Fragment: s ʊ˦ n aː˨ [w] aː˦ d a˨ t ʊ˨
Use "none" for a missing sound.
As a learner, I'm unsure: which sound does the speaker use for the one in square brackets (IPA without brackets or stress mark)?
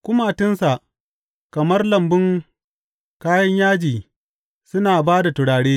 b